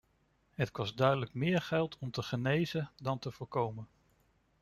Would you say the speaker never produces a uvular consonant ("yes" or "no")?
no